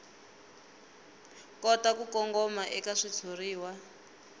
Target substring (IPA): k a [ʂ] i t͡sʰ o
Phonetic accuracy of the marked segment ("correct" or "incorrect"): correct